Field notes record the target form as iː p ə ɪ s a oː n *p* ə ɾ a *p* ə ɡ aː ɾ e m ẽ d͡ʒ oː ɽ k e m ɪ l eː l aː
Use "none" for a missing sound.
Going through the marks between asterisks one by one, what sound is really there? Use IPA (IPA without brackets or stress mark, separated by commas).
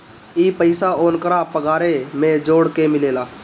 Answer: k, p